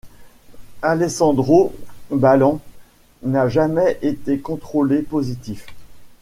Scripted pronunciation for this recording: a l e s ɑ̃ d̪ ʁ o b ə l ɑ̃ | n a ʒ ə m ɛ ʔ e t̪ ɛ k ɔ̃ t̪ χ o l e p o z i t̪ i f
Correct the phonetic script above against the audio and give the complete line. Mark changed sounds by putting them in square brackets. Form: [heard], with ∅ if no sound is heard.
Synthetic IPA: a l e s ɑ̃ d̪ ʁ o b [a] l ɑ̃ | n a ʒ [a] m ɛ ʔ e t̪ [e] k ɔ̃ t̪ χ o l e p o z i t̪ i f